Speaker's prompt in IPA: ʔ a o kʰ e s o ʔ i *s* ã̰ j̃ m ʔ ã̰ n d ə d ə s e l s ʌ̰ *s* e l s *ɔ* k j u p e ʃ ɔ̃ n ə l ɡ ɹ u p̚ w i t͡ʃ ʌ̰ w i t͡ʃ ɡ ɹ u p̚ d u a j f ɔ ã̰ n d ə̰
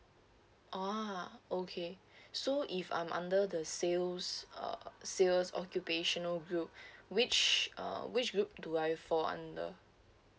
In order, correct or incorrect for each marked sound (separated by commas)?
incorrect, correct, correct